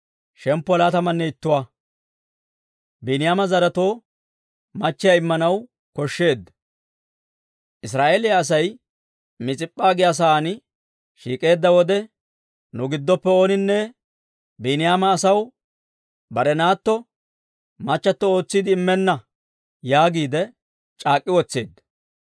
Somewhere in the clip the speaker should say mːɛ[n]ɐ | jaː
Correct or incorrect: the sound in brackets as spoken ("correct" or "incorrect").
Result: incorrect